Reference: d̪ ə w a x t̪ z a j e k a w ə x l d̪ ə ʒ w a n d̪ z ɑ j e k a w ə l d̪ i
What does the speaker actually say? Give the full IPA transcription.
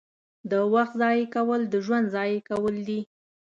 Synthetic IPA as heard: d̪ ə w a x t̪ z ɑ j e k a w ə l d̪ ə ʒ w a n d̪ z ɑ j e k a w ə l d̪ i